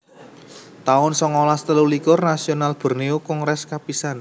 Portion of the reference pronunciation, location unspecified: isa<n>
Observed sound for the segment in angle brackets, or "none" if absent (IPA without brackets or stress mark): n